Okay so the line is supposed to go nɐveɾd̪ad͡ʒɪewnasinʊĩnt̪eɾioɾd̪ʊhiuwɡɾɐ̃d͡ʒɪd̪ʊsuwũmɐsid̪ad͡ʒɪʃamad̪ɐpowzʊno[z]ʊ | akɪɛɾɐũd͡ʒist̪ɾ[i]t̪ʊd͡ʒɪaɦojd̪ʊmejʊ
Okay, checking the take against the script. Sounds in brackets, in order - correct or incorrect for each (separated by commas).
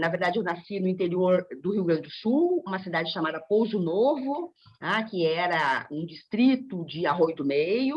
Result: incorrect, correct